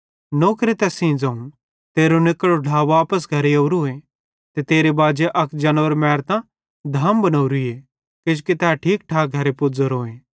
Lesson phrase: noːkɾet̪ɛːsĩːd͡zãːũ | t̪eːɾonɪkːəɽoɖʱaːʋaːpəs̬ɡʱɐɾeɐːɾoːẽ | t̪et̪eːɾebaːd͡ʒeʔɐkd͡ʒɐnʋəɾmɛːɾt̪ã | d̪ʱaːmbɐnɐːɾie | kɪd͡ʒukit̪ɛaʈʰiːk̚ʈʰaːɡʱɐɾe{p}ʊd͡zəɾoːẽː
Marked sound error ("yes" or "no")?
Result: no